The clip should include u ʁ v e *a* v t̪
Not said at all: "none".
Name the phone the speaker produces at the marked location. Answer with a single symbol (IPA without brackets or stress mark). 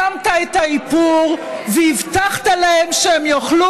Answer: i